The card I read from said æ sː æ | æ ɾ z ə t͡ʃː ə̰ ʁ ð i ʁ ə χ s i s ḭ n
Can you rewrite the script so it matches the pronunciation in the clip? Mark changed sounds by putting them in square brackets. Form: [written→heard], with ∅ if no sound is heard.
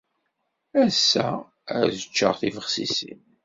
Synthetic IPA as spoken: æ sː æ | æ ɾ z ə t͡ʃː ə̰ ʁ [ð→θ] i [ʁ→v] ə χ s i s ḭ n